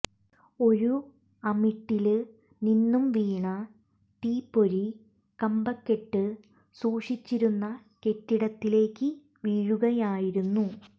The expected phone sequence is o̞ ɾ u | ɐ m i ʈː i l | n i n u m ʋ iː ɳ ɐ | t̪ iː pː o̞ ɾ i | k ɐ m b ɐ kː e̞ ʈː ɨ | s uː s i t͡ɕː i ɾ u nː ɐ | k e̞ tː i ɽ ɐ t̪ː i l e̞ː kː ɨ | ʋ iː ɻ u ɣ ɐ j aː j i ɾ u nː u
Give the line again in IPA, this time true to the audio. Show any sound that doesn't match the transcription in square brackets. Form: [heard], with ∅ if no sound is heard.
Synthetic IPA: o̞ ɾ u | ɐ m i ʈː i l | n i [nː] u m ʋ iː ɳ ɐ | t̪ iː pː o̞ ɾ i | k ɐ m b ɐ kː e̞ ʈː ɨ | s uː [ʂ] i t͡ɕː i ɾ u nː ɐ | k e̞ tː i ɽ ɐ t̪ː i l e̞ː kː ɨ | ʋ iː ɻ u ɣ ɐ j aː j i ɾ u nː u

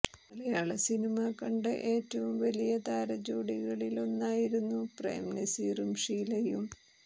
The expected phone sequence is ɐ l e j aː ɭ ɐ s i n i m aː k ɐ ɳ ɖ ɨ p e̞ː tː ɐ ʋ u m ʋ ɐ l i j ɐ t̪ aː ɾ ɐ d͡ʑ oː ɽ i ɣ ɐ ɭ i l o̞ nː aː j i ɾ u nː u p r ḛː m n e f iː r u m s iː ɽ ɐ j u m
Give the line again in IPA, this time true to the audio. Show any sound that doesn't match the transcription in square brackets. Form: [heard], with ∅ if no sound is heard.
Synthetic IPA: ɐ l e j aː ɭ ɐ s i n i m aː k ɐ ɳ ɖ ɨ [ʔ] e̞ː tː ɐ ʋ u m ʋ ɐ l i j ɐ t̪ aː ɾ ɐ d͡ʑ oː ɽ i ɣ ɐ ɭ i l o̞ nː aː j i ɾ u nː u p r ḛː m n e [s] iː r u m [ʂ] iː [l] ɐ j u m

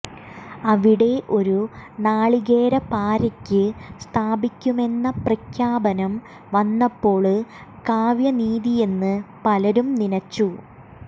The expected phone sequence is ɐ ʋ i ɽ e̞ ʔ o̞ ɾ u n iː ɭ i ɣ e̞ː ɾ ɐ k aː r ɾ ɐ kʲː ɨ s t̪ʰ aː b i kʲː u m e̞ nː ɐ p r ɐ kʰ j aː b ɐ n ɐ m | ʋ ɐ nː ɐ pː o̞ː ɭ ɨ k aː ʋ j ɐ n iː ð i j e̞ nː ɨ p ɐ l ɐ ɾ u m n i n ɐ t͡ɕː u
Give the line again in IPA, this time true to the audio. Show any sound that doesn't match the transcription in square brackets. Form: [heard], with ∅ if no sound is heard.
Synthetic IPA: ɐ ʋ i ɽ e̞ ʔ o̞ ɾ u n [aː] ɭ i ɣ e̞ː ɾ ɐ [p] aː [∅] ɾ ɐ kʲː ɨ s t̪ʰ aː b i kʲː u m e̞ nː ɐ p r ɐ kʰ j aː b ɐ n ɐ m | ʋ ɐ nː ɐ pː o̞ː ɭ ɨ k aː ʋ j ɐ n iː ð i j e̞ nː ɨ p ɐ l ɐ ɾ u m n i n ɐ t͡ɕː u

